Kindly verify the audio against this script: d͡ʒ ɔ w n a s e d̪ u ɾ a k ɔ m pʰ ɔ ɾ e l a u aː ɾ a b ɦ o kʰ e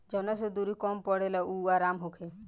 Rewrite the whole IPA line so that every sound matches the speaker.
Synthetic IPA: d͡ʒ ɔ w n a s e d̪ u ɾ i k ɔ m p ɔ ɽ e l a u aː ɾ a m ɦ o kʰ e